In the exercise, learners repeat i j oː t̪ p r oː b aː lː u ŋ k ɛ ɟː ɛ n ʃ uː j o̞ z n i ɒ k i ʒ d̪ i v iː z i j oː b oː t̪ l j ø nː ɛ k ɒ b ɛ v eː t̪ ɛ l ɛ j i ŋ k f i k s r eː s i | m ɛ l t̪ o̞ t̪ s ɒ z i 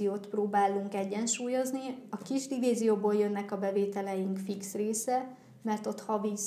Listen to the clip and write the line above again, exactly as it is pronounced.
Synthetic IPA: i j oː t̪ p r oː b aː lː u ŋ k ɛ ɟː ɛ n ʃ uː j o̞ z n i ɒ k i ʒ d̪ i v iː z i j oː b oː l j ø nː ɛ k ɒ b ɛ v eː t̪ ɛ l ɛ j i ŋ k f i k s r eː s ɛ | m ɛ r t̪ o̞ t̪ h ɒ v i